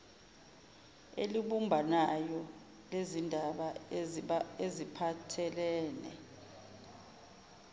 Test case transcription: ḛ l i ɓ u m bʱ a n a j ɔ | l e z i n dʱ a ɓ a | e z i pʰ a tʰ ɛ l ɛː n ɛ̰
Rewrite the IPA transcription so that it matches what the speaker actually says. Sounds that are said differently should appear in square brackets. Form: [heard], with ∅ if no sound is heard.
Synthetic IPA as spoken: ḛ l i ɓ u m bʱ a n a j ɔ | l e z i n dʱ a ɓ a | e z i pʰ a tʰ ɛ l ɛː n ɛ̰